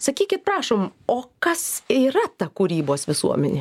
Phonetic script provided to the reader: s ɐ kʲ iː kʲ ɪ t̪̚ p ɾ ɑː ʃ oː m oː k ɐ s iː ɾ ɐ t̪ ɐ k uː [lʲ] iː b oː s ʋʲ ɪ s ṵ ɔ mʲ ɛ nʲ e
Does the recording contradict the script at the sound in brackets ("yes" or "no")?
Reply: yes